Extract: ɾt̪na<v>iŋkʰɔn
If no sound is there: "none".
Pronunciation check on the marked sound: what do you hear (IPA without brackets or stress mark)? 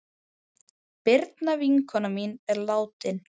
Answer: v